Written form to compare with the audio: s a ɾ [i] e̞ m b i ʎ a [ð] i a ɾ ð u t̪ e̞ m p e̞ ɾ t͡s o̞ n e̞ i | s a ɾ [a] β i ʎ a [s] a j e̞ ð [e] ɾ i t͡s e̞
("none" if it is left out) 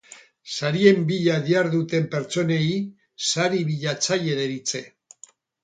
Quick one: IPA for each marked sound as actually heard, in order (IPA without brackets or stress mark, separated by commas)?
i, ð, i, t͡s, e